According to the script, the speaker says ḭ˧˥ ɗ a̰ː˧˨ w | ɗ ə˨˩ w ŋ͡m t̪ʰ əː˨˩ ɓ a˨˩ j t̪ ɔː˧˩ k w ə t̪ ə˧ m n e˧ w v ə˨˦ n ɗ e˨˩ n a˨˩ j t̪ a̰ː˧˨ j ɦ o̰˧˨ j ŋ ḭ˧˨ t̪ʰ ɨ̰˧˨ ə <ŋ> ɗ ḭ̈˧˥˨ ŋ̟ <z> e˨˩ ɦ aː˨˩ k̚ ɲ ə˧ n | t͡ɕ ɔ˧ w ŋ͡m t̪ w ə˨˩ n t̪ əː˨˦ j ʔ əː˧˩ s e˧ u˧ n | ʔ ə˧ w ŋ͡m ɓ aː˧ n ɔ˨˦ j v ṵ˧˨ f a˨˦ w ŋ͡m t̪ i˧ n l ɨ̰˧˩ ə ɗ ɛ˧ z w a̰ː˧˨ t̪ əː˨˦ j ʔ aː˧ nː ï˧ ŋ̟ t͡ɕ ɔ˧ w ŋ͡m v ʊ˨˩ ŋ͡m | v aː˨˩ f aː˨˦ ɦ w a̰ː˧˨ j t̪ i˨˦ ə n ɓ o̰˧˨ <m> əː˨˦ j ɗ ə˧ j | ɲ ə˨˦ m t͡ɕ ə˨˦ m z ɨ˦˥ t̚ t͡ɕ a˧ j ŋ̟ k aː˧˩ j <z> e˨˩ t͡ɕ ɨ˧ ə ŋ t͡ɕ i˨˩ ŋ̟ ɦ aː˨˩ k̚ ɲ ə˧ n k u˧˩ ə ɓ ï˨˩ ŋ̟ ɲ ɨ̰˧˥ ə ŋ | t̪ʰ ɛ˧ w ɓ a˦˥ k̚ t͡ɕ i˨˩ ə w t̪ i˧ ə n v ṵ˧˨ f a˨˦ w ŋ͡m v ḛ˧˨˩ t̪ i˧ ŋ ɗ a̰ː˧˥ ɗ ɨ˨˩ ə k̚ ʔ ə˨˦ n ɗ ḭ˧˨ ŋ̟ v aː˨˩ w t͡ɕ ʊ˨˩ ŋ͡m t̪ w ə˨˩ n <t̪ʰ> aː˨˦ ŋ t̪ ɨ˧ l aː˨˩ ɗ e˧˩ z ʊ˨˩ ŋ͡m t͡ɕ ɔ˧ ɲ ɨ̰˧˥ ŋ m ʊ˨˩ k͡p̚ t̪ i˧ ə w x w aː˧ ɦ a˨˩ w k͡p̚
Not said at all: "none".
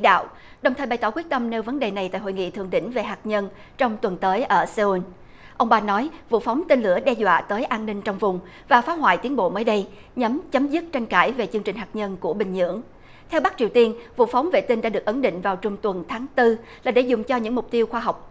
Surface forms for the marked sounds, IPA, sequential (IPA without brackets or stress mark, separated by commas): ŋ, v, m, v, t̪ʰ